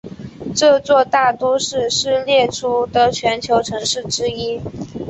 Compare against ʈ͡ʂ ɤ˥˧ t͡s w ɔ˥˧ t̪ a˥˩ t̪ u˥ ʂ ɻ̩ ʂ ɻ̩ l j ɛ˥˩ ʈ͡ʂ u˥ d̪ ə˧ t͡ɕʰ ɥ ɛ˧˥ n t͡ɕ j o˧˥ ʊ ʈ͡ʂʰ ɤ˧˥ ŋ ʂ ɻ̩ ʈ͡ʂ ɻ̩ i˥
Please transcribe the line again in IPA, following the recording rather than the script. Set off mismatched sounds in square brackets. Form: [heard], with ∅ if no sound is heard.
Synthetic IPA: ʈ͡ʂ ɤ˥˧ t͡s w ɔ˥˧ t̪ a˥˩ t̪ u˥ ʂ ɻ̩ ʂ ɻ̩ l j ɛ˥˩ [ʈ͡ʂʰ] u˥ d̪ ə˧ t͡ɕʰ ɥ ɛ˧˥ n [t͡ɕʰ] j o˧˥ ʊ ʈ͡ʂʰ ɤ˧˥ ŋ ʂ ɻ̩ ʈ͡ʂ ɻ̩ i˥